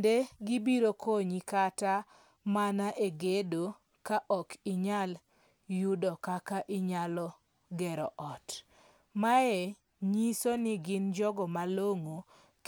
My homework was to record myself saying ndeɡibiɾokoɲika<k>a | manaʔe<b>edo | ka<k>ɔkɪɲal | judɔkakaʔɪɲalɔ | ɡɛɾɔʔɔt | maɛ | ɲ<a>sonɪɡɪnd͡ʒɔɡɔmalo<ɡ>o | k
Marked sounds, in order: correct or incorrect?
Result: incorrect: t, incorrect: ɡ, incorrect: ʔ, incorrect: i, incorrect: ŋ

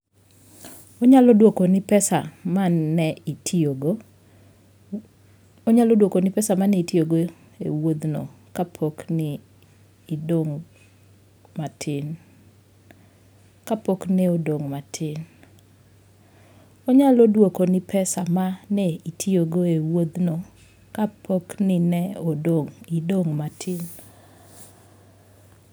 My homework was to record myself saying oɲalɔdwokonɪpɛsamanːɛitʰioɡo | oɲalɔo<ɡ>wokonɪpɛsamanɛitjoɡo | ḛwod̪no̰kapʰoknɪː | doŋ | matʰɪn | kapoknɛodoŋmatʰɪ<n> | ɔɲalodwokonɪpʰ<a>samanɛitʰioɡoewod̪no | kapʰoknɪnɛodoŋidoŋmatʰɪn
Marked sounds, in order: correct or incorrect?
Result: incorrect: d, correct, incorrect: ɛ

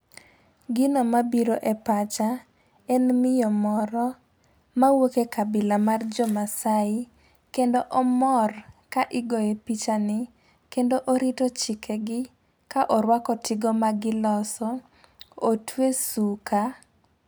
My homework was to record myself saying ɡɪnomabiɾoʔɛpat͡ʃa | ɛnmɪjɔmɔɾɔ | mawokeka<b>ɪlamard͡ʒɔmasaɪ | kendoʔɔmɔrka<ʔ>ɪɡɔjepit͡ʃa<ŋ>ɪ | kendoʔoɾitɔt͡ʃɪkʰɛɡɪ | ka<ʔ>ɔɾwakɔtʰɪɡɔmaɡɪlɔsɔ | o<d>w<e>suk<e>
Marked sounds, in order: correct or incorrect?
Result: correct, correct, incorrect: n, correct, incorrect: t, correct, incorrect: a

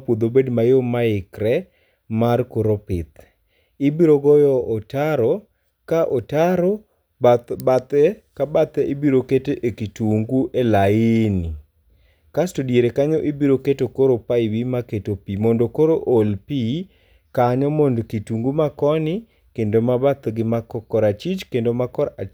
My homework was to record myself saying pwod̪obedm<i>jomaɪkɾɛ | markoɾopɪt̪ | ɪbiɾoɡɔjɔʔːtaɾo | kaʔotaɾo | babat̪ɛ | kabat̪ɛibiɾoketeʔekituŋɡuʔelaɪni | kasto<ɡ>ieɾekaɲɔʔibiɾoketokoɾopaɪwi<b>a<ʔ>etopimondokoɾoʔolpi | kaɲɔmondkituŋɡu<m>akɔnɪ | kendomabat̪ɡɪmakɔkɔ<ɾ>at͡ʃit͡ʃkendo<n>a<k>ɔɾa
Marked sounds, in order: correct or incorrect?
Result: incorrect: a, incorrect: d, incorrect: m, incorrect: k, correct, correct, incorrect: m, correct

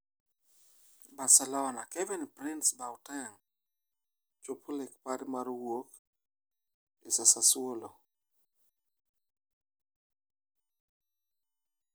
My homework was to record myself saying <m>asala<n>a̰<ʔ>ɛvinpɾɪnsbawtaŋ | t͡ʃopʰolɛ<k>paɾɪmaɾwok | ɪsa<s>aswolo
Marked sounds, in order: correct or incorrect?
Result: incorrect: b, correct, incorrect: k, correct, correct

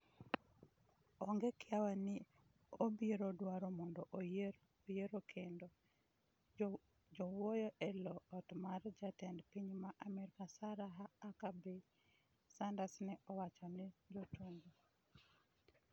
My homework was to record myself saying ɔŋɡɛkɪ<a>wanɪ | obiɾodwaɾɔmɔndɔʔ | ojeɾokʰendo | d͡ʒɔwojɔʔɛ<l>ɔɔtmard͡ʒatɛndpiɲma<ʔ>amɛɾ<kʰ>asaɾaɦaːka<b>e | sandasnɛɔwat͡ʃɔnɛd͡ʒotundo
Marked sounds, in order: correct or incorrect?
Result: correct, correct, correct, incorrect: k, correct

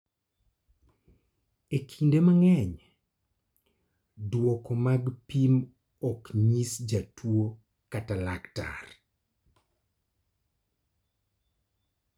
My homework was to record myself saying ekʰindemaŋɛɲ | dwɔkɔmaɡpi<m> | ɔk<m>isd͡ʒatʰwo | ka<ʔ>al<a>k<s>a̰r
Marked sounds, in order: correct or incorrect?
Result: correct, incorrect: ɲ, incorrect: t, correct, incorrect: t

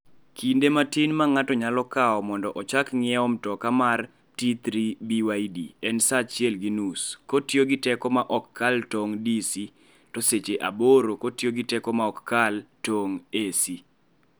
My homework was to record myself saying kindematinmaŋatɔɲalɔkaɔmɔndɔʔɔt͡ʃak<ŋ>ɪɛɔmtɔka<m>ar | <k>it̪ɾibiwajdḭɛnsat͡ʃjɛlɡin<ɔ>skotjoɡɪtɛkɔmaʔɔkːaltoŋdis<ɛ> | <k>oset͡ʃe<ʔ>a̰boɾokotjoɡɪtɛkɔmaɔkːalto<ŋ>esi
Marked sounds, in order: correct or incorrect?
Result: correct, correct, incorrect: t, incorrect: u, incorrect: i, incorrect: t, correct, correct

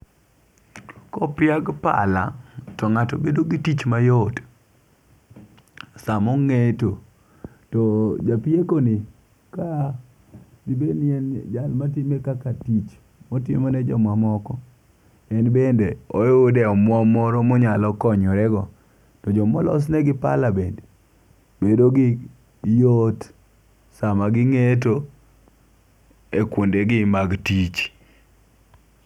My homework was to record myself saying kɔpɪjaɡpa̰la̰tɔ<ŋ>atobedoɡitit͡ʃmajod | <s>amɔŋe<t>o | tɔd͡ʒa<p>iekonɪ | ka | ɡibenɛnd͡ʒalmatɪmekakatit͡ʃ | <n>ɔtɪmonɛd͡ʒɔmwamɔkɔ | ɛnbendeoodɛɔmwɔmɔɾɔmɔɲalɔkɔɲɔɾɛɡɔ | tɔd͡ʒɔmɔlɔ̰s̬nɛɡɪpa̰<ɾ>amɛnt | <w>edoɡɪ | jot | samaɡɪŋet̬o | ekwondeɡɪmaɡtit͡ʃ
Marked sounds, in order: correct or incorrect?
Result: correct, correct, correct, correct, incorrect: m, incorrect: l, incorrect: b

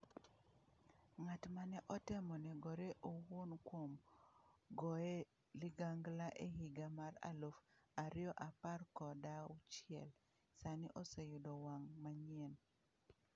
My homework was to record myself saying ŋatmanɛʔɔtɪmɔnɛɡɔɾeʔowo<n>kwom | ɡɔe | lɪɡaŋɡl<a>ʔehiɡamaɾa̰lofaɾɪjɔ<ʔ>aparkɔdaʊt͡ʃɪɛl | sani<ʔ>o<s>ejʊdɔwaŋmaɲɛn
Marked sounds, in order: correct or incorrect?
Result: correct, correct, correct, correct, correct

